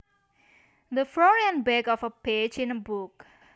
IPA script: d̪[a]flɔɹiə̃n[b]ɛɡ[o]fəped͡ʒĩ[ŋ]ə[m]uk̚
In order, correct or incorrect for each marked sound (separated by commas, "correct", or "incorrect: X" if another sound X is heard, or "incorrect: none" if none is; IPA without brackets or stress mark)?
incorrect: ə, correct, incorrect: ɔ, incorrect: n, incorrect: b